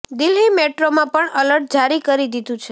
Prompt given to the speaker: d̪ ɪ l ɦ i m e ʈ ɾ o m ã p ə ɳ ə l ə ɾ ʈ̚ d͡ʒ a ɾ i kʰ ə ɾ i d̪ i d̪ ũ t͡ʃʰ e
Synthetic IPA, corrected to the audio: d̪ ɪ l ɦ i m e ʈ ɾ o m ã p ə ɳ ə l ə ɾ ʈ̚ d͡ʒ a ɾ i k ə ɾ i d̪ i d̪ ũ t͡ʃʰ e